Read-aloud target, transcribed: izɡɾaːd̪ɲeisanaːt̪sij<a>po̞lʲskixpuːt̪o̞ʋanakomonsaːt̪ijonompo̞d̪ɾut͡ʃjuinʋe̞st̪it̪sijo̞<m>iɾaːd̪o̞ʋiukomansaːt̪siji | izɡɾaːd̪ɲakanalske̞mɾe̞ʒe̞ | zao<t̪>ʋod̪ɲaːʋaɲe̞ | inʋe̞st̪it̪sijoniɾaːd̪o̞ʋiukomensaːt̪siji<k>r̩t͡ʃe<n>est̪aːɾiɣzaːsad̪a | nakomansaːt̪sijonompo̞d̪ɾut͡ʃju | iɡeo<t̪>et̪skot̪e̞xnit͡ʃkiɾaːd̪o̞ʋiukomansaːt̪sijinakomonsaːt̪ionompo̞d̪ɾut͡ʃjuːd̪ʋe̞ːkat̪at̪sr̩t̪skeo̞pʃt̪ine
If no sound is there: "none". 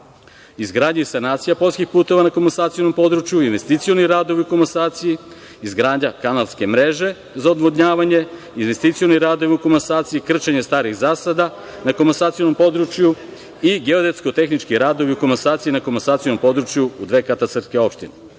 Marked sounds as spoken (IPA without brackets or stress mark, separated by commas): a, n, d̪, k, ɲ, d̪